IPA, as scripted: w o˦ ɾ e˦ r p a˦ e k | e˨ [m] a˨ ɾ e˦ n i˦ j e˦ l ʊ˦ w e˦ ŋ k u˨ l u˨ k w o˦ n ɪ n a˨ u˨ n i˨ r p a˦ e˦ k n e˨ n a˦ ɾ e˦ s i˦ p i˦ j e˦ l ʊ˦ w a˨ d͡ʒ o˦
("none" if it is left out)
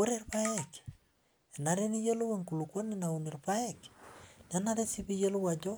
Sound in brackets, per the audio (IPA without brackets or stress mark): n